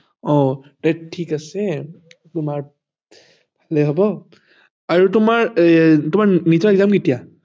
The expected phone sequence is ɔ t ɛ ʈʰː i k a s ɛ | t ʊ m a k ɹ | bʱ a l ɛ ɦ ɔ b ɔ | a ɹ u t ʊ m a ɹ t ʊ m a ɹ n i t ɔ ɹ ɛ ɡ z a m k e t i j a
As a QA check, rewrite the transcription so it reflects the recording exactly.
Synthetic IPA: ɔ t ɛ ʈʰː i k a s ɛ | t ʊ m a ɹ | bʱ a l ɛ ɦ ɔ b ɔ | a ɹ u t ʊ m a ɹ t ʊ m a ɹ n i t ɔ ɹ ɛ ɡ z a m k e t i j a

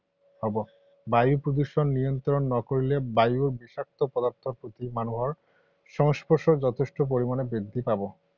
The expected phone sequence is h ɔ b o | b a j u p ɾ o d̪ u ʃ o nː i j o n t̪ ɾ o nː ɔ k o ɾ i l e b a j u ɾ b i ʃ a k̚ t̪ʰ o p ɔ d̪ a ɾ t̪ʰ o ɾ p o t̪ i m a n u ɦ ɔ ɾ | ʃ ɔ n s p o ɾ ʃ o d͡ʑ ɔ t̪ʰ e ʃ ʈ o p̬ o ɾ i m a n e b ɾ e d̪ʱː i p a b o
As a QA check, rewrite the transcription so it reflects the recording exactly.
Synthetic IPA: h ɔ b o | b a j u p ɾ o d̪ u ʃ o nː i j o n t̪ ɾ o nː ɔ k o ɾ i l e b a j u ɾ b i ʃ a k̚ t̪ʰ o p ɔ d̪ a ɾ t̪ʰ o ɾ p o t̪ i m a n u ɦ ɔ ɾ | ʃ ɔ ŋ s p o ɾ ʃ o d͡ʑ ɔ t̪ʰ e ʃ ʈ o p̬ o ɾ i m a n e b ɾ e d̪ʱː i p a b o

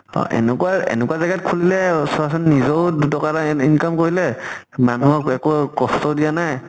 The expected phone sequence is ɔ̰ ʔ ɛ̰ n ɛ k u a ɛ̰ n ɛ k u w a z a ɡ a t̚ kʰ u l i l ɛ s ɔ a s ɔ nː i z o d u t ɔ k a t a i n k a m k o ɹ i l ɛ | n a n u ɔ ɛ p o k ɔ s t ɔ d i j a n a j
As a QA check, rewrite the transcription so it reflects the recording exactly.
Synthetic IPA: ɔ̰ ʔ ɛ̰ n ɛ k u a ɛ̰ n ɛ k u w a z a ɡ a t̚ kʰ u l i l ɛ s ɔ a s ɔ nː i z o d u t ɔ k a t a i n k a m k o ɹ i l ɛ | m a n u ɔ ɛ k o k ɔ s t ɔ d i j a n a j

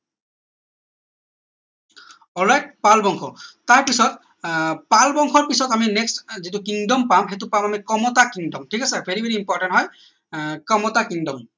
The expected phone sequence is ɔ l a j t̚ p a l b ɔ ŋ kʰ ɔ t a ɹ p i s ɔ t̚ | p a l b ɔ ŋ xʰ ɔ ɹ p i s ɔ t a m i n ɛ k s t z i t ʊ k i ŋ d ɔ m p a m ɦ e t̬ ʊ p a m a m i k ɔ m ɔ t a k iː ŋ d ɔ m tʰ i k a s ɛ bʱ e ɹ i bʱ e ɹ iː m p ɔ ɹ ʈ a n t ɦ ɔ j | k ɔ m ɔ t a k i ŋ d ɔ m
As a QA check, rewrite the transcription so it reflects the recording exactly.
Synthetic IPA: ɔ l a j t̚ p a l b ɔ ŋ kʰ ɔ t a ɹ p i s ɔ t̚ | p a l b ɔ ŋ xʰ ɔ ɹ p i s ɔ t a m i n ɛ k s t z i t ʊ k i ŋ d ɔ m p a m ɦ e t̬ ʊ p a m a m i k ɔ m ɔ t a k i ŋ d ɔ m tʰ i k a s ɛ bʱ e ɹ i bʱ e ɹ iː m p ɔ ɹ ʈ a n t ɦ ɔ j | k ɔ m ɔ t a k i ŋ d ɔ m

